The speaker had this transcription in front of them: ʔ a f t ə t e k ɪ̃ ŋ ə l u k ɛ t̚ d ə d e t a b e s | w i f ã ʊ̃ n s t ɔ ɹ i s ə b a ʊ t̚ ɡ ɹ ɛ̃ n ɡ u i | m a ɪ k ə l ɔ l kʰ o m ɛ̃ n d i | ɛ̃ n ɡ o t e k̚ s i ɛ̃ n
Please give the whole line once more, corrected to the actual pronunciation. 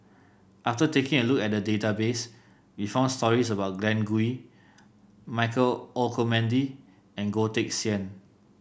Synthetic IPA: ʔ a f t ə t e k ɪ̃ ŋ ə l u k ɛ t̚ d ə d e t a b e s | w i f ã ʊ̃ n s t ɔ ɹ i s ə b a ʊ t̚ ɡ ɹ ɛ̃ n ɡ u i | m a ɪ k ə l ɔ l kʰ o m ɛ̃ n d i | ɛ̃ n ɡ o t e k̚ s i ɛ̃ n